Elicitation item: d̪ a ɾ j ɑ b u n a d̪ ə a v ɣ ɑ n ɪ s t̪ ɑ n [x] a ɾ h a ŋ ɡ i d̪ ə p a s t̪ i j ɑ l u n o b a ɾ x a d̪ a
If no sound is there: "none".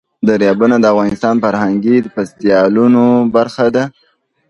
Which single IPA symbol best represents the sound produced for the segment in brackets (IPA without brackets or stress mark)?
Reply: f